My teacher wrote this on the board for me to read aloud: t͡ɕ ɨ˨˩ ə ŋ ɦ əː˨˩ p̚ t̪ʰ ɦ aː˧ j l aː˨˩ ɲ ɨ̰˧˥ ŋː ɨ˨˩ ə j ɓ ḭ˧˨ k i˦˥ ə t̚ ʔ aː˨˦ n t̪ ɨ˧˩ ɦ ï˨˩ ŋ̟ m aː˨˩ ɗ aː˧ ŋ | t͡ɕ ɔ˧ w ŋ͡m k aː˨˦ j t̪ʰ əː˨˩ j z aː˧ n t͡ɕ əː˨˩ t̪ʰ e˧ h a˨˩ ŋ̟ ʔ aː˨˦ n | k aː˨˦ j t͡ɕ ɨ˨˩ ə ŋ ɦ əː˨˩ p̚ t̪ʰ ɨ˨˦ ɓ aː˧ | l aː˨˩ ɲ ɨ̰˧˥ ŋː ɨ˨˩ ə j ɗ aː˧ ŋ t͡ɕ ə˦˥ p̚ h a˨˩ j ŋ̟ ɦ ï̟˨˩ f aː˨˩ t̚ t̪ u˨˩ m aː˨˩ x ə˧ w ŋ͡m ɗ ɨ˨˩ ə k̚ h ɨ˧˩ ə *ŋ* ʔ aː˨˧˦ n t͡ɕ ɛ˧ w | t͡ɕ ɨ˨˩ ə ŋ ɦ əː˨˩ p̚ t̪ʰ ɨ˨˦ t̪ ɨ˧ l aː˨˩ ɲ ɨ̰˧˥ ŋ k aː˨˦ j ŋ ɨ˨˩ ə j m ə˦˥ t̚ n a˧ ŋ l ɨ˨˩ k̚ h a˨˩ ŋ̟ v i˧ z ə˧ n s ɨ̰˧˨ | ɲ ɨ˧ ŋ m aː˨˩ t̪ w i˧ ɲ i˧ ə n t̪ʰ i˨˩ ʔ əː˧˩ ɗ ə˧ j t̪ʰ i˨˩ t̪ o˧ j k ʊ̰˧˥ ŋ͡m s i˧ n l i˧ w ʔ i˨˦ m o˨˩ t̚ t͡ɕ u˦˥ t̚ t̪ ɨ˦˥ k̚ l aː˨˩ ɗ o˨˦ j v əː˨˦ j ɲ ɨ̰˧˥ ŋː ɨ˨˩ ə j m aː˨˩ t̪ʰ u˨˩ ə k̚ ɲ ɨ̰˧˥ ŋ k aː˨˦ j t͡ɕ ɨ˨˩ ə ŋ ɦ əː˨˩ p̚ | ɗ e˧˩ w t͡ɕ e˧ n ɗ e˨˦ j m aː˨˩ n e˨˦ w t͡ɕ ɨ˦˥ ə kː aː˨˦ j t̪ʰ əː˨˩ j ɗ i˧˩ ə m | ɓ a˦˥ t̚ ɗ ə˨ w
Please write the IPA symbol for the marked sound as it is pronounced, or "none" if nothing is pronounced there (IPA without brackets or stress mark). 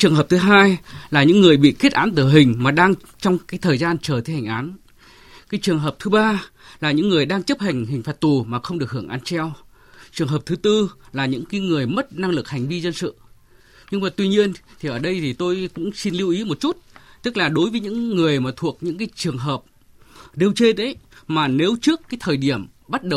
ŋ